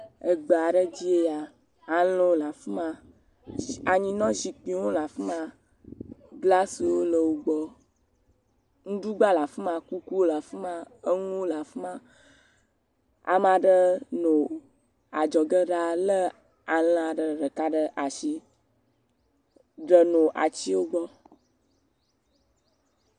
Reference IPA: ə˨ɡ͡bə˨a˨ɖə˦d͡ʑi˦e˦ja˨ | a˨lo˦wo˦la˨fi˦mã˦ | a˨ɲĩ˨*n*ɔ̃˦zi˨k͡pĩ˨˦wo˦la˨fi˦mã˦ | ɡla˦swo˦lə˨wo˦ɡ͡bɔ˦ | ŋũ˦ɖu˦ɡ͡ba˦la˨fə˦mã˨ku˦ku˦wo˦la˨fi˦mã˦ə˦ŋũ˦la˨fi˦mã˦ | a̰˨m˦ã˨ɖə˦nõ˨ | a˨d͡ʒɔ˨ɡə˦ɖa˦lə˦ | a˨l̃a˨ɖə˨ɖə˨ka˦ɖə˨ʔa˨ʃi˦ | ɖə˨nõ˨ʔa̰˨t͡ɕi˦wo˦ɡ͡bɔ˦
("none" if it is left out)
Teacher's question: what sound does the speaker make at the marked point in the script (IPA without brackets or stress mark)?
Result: n